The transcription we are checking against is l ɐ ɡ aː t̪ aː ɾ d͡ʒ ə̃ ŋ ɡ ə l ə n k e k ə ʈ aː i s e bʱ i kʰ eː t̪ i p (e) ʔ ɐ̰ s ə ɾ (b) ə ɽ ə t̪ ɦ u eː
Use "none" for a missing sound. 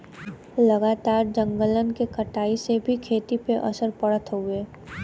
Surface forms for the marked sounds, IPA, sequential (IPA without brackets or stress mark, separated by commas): e, p